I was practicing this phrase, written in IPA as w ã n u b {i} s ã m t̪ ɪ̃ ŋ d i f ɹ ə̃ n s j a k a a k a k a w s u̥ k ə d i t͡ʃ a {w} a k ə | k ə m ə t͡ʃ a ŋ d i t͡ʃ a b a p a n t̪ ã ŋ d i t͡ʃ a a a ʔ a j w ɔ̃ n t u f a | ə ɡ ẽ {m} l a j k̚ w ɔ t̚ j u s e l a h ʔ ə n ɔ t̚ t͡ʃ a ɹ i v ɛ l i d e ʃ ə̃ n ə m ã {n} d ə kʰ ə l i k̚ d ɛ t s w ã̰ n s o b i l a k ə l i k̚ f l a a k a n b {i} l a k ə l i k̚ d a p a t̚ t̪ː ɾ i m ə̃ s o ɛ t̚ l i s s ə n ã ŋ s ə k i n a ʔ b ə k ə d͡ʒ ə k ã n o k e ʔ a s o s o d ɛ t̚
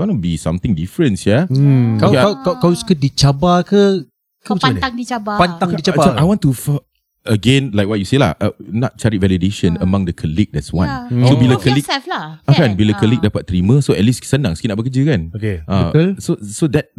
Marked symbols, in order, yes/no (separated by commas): yes, no, no, no, yes